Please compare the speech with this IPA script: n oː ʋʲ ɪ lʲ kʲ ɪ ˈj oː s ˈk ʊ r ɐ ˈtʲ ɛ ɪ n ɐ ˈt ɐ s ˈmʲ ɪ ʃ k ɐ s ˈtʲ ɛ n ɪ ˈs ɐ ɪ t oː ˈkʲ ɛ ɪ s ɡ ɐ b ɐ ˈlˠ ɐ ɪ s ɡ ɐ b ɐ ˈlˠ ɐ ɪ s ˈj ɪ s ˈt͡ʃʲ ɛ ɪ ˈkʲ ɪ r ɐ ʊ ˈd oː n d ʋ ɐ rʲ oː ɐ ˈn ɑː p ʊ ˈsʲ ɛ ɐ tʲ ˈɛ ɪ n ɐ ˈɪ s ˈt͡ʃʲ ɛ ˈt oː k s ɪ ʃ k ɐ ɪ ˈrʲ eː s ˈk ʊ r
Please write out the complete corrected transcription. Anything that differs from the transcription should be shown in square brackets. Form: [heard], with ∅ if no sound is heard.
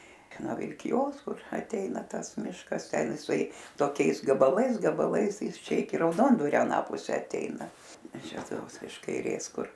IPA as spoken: n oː ʋʲ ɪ lʲ kʲ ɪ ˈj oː s ˈk ʊ r ɐ ˈtʲ ɛ ɪ n ɐ ˈt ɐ s ˈmʲ ɪ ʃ k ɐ s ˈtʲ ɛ n ɪ ˈs ɐ ɪ t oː ˈkʲ ɛ ɪ s ɡ ɐ b ɐ ˈlˠ ɐ ɪ s ɡ ɐ b ɐ ˈlˠ ɐ ɪ s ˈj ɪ s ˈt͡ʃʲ ɛ ɪ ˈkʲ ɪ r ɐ ʊ ˈd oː n d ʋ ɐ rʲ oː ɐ ˈn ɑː p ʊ ˈsʲ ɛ ɐ tʲ ˈɛ ɪ n ɐ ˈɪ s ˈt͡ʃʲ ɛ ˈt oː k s ɪ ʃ k ɐ ɪ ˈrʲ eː s ˈk ʊ r